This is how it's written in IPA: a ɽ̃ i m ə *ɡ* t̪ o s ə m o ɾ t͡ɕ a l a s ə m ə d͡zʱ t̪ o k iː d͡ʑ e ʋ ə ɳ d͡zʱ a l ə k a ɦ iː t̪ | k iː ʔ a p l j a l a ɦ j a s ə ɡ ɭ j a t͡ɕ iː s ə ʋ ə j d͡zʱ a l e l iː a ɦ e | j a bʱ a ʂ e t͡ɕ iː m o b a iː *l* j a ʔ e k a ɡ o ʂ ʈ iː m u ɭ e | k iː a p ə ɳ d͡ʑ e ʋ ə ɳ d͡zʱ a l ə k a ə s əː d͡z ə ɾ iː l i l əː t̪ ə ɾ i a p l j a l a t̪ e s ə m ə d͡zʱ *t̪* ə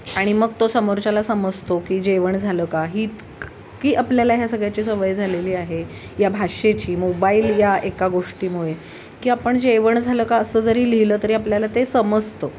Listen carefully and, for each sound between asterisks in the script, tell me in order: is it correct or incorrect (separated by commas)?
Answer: correct, correct, correct